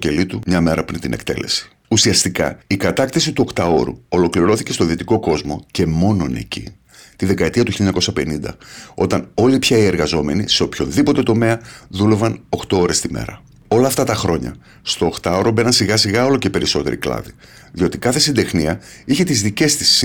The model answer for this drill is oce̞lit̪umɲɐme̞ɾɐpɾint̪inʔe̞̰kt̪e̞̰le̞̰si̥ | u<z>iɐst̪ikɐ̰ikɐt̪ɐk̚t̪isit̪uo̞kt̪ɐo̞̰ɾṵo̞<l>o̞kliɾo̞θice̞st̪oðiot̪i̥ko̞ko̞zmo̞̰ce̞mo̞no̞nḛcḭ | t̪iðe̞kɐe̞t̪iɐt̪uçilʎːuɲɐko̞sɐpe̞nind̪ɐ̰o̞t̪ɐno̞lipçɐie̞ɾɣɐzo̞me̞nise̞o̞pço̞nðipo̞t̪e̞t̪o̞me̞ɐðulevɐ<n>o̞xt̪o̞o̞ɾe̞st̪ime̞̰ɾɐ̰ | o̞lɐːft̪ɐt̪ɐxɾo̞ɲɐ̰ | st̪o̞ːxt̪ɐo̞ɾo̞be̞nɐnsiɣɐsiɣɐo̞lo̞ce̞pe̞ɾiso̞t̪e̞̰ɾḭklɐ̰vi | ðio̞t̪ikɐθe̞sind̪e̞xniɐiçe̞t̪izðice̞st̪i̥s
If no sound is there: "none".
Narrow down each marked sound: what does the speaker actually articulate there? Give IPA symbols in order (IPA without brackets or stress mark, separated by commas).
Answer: s, l, n